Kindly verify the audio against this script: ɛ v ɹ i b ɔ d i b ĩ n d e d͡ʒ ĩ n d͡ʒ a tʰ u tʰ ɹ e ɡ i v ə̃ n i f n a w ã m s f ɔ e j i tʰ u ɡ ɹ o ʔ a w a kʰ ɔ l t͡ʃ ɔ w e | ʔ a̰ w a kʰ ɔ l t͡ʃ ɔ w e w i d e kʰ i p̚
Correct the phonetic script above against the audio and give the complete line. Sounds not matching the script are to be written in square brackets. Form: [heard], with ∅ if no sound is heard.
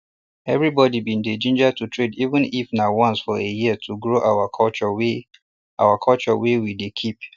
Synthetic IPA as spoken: ɛ v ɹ i b ɔ d i b ĩ n d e d͡ʒ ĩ n d͡ʒ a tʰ u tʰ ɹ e [d] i v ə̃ n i f n a w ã [n] s f ɔ e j i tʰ u ɡ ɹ o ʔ a w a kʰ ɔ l t͡ʃ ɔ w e | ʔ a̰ w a kʰ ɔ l t͡ʃ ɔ w e w i d e kʰ i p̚